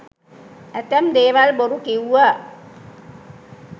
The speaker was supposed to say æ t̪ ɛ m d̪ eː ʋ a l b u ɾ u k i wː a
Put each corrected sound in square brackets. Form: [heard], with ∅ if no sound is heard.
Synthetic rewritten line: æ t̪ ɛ m d̪ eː ʋ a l b [o] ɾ u k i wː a